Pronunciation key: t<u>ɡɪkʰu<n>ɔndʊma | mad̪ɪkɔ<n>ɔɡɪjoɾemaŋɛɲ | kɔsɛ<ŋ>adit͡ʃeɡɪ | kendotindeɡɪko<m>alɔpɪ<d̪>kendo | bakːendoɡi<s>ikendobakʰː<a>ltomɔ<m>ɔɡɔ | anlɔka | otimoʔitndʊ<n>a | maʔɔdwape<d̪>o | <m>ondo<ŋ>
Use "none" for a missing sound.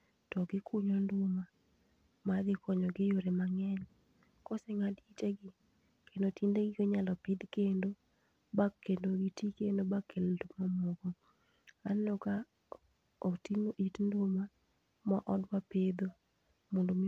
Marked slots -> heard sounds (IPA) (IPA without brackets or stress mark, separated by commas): ɔ, ɲ, ɲ, ŋ, ɲ, d̪, t, e, m, m, d̪, m, m